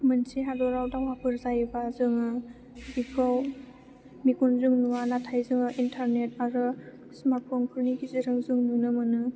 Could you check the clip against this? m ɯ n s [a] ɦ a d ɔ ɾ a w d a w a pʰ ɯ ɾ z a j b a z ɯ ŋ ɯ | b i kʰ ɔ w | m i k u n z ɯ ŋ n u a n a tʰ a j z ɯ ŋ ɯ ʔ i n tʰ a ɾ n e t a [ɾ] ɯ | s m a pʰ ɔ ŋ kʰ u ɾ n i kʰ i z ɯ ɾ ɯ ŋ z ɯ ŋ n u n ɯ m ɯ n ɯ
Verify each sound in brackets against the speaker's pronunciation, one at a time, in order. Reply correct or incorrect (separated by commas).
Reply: incorrect, correct